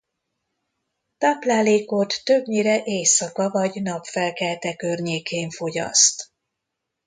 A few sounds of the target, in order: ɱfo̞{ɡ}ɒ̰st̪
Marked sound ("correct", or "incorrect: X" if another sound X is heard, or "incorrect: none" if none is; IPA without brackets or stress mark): incorrect: ɟ